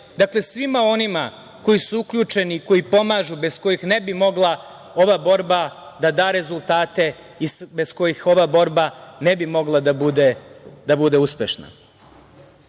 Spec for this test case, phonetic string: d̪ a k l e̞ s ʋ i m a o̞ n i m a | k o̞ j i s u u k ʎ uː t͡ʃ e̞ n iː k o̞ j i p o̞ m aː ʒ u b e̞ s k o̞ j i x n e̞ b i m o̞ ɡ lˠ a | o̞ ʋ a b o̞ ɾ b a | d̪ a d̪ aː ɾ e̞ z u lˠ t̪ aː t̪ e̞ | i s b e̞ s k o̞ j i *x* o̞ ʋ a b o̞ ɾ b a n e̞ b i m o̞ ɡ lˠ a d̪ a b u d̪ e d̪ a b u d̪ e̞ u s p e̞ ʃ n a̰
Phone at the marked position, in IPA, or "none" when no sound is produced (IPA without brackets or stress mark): x